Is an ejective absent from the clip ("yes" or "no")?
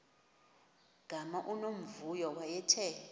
yes